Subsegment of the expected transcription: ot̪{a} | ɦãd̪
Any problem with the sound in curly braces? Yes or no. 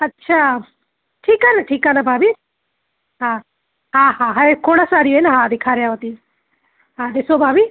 yes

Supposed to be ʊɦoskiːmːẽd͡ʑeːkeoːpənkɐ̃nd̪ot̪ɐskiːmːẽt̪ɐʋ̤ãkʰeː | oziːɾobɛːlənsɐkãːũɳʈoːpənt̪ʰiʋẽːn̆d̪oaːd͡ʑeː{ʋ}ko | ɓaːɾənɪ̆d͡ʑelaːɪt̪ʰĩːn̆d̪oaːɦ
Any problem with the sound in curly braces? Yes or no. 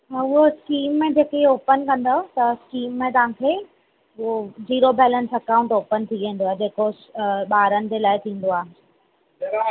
yes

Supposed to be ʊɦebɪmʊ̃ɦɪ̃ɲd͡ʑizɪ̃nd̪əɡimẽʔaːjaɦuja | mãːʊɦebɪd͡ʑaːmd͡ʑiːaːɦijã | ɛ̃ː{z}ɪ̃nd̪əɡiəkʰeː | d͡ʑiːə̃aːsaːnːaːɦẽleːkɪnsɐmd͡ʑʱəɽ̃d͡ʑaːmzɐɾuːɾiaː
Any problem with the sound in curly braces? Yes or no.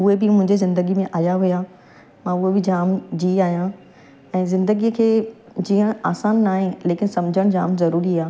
no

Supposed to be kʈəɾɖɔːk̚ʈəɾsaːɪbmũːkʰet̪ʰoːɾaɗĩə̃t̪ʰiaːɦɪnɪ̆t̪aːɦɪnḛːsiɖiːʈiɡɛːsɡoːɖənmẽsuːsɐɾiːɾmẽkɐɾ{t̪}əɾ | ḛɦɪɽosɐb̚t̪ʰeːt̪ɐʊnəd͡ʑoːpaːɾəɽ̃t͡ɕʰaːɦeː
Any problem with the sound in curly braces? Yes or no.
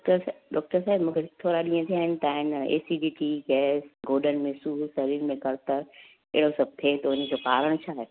no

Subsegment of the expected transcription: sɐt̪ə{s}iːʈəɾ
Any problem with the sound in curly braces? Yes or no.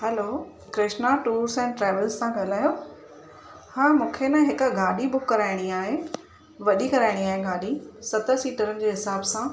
no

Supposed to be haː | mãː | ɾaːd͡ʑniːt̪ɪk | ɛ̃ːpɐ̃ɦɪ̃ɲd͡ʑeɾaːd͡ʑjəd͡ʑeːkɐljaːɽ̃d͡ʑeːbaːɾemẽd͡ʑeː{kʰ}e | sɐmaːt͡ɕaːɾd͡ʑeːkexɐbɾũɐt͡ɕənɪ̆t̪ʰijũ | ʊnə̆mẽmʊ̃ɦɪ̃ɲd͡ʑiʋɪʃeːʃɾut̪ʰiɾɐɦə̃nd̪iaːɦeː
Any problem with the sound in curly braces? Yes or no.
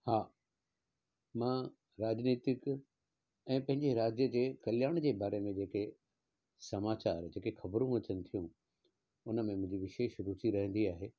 yes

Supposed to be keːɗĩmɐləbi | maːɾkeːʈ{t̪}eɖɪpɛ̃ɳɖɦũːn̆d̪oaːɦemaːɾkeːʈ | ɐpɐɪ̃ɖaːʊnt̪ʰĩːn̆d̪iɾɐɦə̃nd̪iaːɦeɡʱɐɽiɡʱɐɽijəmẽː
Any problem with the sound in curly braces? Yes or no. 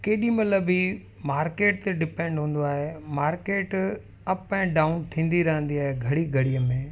no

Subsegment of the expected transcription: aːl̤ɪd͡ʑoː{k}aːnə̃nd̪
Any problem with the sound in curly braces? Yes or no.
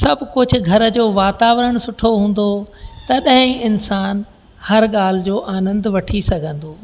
yes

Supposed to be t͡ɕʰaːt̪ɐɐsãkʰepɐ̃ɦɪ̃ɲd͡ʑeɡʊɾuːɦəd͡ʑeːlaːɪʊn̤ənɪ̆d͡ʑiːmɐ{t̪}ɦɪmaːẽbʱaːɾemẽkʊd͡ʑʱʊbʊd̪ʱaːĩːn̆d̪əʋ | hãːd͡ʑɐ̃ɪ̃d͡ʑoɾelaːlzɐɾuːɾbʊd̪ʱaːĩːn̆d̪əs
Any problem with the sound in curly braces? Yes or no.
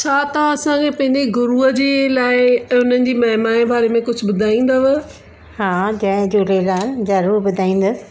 yes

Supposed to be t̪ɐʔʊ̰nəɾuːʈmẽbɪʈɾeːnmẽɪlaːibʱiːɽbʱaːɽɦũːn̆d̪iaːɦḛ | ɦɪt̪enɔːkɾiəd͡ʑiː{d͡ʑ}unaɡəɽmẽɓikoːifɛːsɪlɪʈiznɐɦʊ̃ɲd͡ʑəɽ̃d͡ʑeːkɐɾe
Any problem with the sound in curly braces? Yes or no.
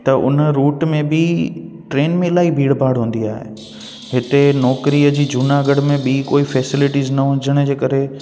no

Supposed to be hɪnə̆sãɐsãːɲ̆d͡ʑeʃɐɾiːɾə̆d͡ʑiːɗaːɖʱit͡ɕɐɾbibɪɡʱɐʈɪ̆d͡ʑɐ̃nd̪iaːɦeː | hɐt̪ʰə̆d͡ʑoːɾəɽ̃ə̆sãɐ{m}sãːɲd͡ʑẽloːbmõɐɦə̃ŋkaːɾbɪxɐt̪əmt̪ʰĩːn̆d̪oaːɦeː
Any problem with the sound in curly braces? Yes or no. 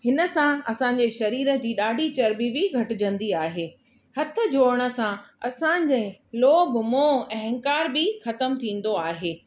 yes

